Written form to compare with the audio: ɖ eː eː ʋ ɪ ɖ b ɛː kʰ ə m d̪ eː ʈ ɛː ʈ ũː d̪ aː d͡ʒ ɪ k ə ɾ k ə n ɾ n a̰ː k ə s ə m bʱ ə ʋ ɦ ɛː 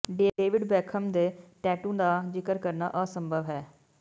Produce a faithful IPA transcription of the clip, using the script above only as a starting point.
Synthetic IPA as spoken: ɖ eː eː ʋ ɪ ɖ b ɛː kʰ ə m d̪ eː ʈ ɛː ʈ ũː d̪ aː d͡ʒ ɪ k ə ɾ k ə ɾ n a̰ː ʔ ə s ə m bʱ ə ʋ ɦ ɛː